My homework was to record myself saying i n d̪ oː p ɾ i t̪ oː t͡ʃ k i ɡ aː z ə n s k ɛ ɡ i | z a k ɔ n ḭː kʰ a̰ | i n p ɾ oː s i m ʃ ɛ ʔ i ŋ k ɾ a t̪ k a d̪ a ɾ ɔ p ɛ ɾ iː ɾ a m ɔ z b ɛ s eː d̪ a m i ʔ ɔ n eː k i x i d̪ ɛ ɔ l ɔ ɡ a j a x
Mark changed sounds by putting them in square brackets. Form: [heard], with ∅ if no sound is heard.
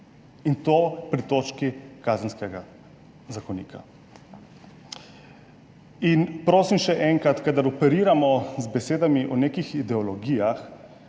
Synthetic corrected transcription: i n [t̪] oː p ɾ i t̪ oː t͡ʃ k i [k] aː z ə n s k ɛ ɡ [a] | z a k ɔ n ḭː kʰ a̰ | i n p ɾ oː s i m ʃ ɛ ʔ [ɛ] ŋ k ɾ a t̪ k a d̪ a ɾ ɔ p ɛ ɾ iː ɾ a m ɔ z b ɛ s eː d̪ a m i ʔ ɔ n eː k i x i d̪ ɛ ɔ l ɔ ɡ [i] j a x